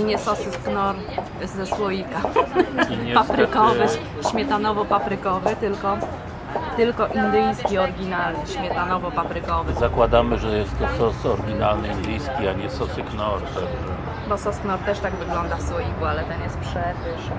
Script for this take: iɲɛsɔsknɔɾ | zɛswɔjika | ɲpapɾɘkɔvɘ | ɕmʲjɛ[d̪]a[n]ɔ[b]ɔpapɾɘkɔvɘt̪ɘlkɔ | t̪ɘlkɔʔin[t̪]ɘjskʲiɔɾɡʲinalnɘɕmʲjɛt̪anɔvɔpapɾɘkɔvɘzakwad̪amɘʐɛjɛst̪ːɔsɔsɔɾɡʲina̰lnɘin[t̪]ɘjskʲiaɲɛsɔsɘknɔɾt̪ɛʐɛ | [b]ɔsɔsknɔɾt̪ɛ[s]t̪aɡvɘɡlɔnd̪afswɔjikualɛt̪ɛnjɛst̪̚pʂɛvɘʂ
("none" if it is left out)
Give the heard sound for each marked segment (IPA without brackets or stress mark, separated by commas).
t̪, n, v, d̪, d̪, b, ʂ